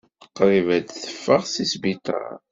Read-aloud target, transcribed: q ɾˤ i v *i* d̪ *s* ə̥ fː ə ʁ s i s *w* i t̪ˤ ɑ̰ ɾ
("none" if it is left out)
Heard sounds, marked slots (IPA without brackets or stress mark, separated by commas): æ, θ, b